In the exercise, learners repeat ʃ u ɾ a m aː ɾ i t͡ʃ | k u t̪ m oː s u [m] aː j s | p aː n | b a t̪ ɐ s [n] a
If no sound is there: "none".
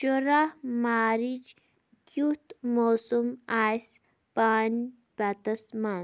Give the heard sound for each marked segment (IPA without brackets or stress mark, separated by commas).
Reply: m, m